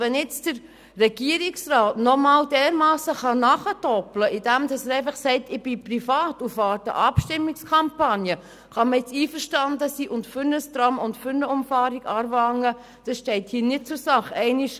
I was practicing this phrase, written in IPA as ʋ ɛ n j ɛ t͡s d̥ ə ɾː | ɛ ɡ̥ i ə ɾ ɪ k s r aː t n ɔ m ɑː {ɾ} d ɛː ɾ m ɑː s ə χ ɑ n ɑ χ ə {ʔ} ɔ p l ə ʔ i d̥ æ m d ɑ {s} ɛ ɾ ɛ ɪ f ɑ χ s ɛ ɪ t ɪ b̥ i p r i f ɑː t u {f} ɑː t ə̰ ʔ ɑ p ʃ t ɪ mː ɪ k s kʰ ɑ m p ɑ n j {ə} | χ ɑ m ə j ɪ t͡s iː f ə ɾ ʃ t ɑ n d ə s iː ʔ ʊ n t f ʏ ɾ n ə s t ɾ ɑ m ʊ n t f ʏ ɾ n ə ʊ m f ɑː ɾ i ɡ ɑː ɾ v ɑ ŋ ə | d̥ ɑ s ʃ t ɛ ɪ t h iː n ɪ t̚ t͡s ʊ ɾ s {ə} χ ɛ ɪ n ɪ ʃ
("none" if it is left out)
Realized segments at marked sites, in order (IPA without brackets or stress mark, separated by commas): l, t, s, f, ə, ɑ